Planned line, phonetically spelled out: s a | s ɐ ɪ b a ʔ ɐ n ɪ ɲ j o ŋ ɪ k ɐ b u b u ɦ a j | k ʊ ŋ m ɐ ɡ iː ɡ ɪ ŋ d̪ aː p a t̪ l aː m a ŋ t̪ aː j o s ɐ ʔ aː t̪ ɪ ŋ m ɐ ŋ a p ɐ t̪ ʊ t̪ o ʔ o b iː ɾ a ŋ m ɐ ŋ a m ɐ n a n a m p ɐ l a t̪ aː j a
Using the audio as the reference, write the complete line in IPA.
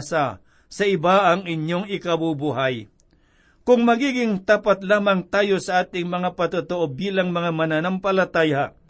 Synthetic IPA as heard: s a | s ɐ ɪ b a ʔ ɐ ŋ ɪ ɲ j o ŋ ɪ k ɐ b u b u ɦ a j | k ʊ ŋ m ɐ ɡ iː ɡ ɪ ŋ t̪ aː p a t̪ l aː m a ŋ t̪ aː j o s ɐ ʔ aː t̪ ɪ ŋ m ɐ ŋ a p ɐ t̪ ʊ t̪ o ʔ o b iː l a ŋ m ɐ ŋ a m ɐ n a n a m p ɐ l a t̪ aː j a